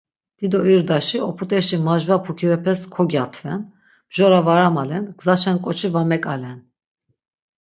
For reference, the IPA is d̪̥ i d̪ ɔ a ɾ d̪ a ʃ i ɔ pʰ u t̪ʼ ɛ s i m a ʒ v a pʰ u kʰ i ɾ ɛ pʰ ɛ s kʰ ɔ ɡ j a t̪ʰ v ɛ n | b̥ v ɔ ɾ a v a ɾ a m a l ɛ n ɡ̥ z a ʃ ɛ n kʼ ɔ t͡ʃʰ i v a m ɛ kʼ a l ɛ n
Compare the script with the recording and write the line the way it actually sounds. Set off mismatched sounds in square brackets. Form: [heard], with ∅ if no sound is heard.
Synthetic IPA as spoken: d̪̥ i d̪ ɔ [i] ɾ d̪ a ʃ i ɔ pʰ u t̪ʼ ɛ [ʃ] i m a ʒ v a pʰ u kʰ i ɾ ɛ pʰ ɛ s kʰ ɔ ɡ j a t̪ʰ v ɛ n | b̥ [ʒ] ɔ ɾ a v a ɾ a m a l ɛ n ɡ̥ z a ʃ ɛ n kʼ ɔ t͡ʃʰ i v a m ɛ kʼ a l ɛ n